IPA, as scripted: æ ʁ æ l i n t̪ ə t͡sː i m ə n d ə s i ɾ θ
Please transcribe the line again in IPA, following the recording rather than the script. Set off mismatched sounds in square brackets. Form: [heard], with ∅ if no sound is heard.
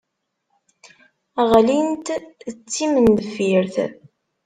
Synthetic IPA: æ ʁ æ l i n t̪ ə t͡sː i m ə n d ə [f] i ɾ θ

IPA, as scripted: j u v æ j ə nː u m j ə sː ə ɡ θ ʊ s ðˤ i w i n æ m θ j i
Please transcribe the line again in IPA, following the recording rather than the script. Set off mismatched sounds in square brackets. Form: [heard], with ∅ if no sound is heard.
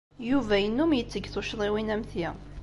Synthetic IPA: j u v æ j ə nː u m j ə [t͡sː] ə ɡ θ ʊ [ʃ] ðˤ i w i n æ m θ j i

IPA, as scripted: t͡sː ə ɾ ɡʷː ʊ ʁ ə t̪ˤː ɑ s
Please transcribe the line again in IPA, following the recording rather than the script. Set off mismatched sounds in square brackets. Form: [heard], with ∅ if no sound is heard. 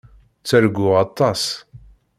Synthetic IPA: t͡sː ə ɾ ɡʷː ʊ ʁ [ɑ] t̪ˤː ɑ s

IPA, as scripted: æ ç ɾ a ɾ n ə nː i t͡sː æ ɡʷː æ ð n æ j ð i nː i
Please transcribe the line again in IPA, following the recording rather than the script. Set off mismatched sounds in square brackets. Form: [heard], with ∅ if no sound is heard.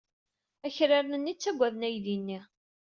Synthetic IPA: æ ç ɾ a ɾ n ə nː i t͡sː æ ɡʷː æ ð n æ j ð i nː i

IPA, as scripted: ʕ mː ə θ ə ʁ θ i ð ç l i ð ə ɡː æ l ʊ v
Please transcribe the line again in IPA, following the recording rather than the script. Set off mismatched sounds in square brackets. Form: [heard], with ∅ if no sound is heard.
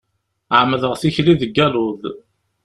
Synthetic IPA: ʕ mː ə [ð] ə ʁ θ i [∅] ç l i ð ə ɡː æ l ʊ [ð]

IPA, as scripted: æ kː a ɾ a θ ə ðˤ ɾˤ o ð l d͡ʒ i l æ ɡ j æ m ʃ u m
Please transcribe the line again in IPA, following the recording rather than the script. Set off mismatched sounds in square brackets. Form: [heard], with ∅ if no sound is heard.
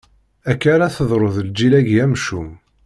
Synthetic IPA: æ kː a ɾ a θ ə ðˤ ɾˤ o ð l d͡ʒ i l æ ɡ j æ m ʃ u m

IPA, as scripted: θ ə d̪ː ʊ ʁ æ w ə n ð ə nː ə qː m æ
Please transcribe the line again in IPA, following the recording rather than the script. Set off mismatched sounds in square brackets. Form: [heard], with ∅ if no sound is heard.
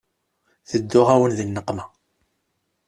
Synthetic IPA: θ ə d̪ː ʊ ʁ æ w ə n ð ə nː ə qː m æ

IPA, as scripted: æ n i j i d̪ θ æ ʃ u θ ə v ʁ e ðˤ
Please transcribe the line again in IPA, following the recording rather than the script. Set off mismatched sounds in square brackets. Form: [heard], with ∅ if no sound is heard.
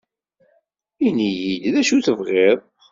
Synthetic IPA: [i] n i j i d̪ [ð] æ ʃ u θ ə v ʁ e ðˤ

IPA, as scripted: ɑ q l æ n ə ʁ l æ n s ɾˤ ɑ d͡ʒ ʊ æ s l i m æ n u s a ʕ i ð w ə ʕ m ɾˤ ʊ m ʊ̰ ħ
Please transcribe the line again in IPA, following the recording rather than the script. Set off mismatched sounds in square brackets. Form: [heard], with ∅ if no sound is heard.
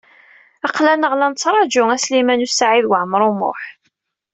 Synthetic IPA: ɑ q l æ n ə ʁ l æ n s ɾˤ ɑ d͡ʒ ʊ æ s l i m æ n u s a ʕ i ð w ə ʕ m ɾˤ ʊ m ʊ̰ ħ

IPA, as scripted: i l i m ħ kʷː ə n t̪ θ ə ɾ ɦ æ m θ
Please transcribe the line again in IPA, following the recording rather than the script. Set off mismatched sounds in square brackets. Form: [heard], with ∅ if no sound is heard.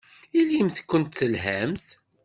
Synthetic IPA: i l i m [θ] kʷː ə n t̪ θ ə [l] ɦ æ m θ

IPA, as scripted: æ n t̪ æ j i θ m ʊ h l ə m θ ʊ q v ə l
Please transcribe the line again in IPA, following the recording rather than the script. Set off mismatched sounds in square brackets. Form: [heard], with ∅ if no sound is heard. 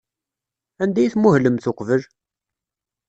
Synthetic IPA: æ n [d̪] æ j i θ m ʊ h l ə m θ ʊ q v ə l

